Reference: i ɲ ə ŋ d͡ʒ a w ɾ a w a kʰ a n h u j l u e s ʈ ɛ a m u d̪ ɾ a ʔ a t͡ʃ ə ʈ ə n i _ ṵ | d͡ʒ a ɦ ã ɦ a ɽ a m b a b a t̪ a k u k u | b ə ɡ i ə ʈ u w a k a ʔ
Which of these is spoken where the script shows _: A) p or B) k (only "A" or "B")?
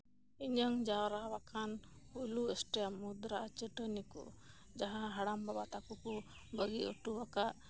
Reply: B